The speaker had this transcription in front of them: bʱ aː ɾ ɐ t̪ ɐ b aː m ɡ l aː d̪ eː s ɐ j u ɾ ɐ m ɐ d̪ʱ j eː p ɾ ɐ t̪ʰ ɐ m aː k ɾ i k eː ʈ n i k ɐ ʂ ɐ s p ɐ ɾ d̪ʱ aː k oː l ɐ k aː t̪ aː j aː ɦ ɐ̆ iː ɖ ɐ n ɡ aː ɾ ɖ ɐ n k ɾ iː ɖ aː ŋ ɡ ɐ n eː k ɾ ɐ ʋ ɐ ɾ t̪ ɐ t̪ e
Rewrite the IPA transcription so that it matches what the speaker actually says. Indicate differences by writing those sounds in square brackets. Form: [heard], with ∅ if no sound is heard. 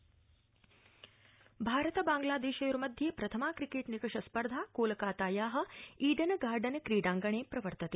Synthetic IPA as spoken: bʱ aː ɾ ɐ t̪ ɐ b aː [ŋ] ɡ l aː d̪ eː [ʃ] ɐ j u ɾ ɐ m ɐ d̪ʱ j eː p ɾ ɐ t̪ʰ ɐ m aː k ɾ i k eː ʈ n i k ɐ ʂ ɐ s p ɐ ɾ d̪ʱ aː k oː l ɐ k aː t̪ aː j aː ɦ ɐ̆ iː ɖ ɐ n ɡ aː ɾ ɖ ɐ n k ɾ iː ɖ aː ŋ ɡ ɐ [ɳ] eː [p] ɾ ɐ ʋ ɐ ɾ t̪ ɐ t̪ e